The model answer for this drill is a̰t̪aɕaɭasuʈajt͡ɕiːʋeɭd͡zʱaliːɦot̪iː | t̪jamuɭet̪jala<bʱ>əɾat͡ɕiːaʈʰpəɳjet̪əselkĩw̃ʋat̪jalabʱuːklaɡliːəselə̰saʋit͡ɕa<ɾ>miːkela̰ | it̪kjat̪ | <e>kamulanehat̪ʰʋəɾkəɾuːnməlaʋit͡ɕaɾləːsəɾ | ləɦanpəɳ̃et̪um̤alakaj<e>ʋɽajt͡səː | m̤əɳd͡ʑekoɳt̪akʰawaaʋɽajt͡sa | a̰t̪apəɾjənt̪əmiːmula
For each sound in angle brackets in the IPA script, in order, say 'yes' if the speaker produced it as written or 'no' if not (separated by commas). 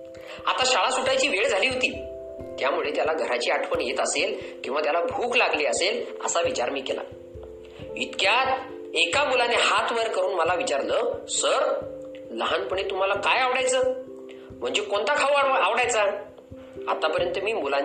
no, yes, yes, no